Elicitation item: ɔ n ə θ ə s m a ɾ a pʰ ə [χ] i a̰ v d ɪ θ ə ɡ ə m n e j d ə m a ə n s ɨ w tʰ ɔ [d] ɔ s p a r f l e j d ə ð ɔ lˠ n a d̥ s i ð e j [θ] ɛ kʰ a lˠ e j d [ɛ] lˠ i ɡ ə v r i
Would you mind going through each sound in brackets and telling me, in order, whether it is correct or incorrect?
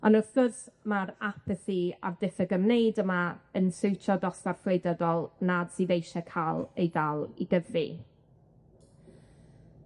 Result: incorrect, correct, incorrect, incorrect

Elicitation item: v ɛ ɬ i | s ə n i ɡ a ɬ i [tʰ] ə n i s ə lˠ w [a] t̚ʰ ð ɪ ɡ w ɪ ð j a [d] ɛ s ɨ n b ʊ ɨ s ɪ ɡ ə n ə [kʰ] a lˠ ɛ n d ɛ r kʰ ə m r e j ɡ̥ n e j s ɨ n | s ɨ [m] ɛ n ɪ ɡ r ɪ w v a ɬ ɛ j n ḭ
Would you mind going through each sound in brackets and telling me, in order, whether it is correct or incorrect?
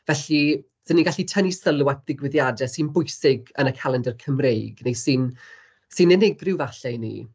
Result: correct, correct, correct, correct, incorrect

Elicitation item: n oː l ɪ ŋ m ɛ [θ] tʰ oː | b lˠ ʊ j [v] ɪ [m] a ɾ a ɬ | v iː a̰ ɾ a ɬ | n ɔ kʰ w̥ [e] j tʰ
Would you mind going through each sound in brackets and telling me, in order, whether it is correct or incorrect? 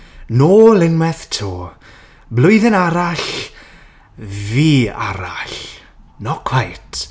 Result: correct, incorrect, incorrect, incorrect

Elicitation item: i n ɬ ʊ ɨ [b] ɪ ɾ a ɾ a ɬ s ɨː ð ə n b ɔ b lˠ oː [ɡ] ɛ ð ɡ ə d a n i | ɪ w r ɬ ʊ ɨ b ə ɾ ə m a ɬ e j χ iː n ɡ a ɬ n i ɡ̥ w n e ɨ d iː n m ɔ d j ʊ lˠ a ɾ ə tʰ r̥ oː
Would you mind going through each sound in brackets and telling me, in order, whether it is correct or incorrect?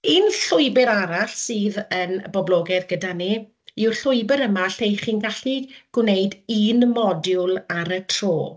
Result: correct, correct

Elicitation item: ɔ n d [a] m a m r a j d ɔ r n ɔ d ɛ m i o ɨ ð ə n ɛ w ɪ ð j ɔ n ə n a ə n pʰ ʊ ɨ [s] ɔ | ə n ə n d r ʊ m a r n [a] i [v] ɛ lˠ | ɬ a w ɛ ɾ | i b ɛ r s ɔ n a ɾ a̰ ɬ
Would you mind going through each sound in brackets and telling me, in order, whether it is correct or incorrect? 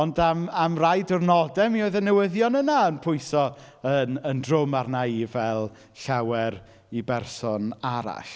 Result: correct, correct, correct, correct

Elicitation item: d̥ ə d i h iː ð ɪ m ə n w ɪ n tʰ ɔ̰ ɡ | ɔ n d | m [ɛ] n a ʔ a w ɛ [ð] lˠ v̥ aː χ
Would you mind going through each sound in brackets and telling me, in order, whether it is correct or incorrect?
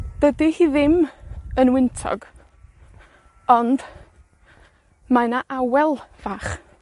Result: incorrect, incorrect

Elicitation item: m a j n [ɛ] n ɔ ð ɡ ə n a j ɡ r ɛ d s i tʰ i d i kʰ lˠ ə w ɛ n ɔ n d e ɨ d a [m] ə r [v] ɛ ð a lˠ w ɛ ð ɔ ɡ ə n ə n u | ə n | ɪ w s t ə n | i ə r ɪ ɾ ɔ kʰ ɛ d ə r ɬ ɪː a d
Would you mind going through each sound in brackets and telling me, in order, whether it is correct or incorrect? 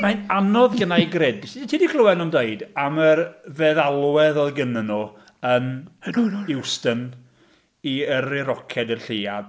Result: incorrect, correct, correct

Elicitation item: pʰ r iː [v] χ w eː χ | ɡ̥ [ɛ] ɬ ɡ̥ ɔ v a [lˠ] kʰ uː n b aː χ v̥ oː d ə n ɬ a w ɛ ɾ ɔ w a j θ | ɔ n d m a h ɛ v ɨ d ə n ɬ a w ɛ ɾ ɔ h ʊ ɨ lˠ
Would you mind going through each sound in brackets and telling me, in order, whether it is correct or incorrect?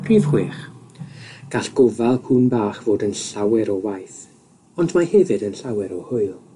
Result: correct, incorrect, correct

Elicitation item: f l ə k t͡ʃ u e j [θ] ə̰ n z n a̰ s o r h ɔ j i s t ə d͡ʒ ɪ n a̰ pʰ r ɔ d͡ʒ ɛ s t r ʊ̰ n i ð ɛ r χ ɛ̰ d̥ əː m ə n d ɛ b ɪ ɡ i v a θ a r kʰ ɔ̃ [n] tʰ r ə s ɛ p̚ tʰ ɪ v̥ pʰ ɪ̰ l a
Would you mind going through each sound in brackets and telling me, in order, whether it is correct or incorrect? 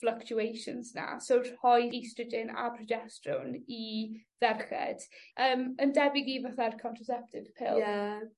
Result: incorrect, correct

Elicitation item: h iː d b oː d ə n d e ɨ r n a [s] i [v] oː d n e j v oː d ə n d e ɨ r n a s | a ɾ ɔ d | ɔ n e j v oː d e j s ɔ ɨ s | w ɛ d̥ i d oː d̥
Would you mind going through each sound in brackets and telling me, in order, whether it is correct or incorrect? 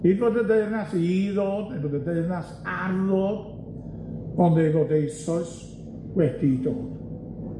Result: correct, incorrect

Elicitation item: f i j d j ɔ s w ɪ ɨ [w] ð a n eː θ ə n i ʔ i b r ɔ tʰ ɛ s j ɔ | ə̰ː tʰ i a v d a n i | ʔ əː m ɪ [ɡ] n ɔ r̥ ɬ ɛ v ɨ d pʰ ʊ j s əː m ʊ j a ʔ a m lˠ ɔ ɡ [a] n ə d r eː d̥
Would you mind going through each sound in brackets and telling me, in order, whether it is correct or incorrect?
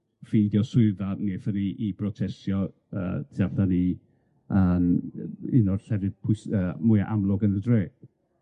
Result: incorrect, incorrect, incorrect

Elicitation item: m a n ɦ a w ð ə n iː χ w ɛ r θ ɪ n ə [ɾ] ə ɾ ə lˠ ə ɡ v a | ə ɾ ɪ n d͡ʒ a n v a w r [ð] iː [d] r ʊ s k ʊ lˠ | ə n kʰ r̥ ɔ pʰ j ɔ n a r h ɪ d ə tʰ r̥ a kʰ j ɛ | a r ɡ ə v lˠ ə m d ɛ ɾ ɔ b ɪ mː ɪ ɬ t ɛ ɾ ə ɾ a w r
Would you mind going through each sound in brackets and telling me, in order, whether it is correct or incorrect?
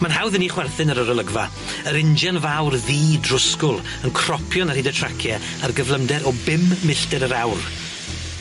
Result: correct, correct, correct

